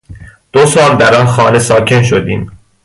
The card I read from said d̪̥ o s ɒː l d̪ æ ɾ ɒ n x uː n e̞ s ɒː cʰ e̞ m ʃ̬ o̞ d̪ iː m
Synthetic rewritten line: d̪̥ o s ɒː l d̪ æ ɾ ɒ n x ɒː n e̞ s ɒː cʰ e̞ n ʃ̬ o̞ d̪ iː m